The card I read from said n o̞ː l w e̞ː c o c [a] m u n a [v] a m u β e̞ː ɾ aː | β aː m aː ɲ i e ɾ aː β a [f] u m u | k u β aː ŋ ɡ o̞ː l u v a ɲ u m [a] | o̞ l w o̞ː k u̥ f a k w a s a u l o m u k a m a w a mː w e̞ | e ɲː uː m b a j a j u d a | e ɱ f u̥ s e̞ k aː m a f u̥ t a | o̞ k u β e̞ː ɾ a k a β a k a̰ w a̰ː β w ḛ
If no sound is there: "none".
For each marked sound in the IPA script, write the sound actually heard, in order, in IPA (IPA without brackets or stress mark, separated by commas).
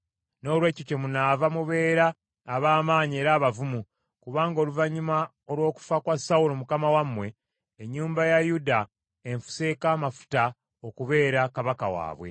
e, v, v, a